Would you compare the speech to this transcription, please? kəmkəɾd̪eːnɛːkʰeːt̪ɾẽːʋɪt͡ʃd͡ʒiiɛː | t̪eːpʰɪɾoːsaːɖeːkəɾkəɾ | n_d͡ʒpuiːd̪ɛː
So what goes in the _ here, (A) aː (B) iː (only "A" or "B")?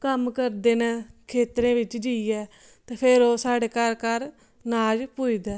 A